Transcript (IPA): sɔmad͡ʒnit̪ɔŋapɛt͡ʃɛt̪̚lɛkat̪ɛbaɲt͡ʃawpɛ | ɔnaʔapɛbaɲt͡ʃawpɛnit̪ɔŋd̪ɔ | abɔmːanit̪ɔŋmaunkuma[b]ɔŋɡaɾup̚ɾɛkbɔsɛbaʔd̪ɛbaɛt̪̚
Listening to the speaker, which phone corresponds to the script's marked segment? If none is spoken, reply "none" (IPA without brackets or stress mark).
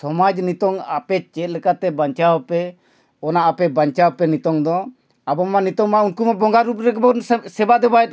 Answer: b